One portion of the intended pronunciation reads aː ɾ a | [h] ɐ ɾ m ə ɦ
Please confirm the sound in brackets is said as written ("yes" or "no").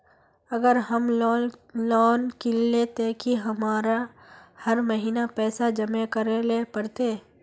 yes